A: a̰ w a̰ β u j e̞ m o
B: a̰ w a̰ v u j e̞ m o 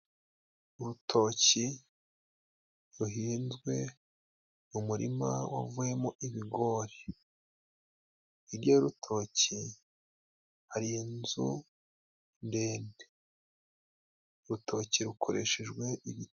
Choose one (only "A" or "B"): B